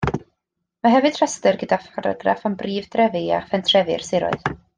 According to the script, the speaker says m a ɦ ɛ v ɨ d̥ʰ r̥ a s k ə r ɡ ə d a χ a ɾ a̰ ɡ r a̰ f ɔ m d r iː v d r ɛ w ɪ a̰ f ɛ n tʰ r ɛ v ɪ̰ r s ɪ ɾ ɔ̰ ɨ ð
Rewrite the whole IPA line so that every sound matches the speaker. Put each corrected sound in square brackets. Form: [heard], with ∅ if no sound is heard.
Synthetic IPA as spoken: m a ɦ ɛ v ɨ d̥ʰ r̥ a s [t] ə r ɡ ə d a [f] a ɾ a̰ ɡ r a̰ f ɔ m [b] r iː v d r ɛ [v] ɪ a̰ f ɛ n tʰ r ɛ v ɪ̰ r s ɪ ɾ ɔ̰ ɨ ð